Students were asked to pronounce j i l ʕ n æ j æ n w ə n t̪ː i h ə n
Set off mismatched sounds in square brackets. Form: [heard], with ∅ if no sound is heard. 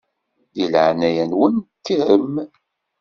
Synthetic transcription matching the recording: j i l ʕ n æ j æ n w ə n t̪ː i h ə [m]